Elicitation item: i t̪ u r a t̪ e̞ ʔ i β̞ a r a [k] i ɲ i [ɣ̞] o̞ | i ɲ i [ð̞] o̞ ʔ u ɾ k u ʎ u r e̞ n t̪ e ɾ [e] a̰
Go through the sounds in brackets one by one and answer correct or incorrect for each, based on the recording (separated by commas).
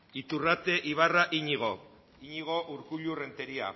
incorrect, correct, incorrect, incorrect